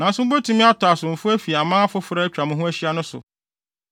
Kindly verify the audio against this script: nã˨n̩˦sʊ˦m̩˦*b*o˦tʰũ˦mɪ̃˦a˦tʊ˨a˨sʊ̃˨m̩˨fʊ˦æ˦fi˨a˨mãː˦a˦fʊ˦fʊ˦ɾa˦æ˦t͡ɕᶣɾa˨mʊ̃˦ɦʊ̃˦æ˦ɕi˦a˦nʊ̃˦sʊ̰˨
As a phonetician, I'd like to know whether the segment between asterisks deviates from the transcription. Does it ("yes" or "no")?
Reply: no